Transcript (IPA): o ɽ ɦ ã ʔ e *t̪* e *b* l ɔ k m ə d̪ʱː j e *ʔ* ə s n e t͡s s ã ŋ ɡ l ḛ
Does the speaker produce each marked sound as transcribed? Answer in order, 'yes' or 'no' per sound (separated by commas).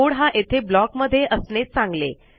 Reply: no, yes, yes